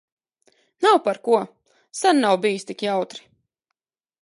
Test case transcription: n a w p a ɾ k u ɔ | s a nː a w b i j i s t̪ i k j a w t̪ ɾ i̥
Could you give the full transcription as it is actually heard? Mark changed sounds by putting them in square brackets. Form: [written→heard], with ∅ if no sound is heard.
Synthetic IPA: n a w p a ɾ k u ɔ | s a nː a w b i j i s t̪ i k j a w t̪ ɾ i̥

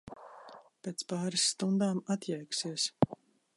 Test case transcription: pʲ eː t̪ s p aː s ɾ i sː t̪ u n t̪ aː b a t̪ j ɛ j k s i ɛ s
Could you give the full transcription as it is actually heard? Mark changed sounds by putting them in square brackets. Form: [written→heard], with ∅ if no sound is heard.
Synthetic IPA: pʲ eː t̪ s p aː [s→∅] ɾ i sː t̪ u n [t̪→d̪] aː [b→m] a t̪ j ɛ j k s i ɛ s

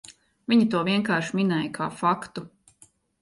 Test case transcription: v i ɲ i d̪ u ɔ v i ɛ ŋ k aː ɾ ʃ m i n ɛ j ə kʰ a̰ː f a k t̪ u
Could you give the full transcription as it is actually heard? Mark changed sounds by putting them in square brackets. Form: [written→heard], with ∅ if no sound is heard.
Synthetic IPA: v i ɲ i [d̪→t̪] u ɔ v i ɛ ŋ k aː ɾ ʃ m i n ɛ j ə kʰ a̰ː f a k t̪ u

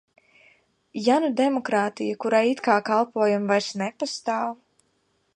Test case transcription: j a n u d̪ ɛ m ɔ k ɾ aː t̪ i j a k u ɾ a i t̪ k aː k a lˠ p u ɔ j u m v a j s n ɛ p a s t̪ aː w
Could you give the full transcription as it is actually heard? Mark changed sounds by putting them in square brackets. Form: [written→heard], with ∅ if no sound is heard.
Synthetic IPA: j a n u d̪ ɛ m ɔ k ɾ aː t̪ i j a k u ɾ a i t̪ k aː k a lˠ p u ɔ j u m v a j s n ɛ p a s t̪ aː w

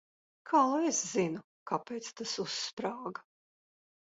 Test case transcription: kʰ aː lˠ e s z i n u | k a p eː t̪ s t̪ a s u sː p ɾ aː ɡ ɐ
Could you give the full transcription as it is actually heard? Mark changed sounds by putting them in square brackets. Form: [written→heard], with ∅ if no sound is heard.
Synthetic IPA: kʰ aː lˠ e s z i n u | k a p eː t̪ s t̪ a s u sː p ɾ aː ɡ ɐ

